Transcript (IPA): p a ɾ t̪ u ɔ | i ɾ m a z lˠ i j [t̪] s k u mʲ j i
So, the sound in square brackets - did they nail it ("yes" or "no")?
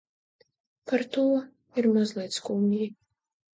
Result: yes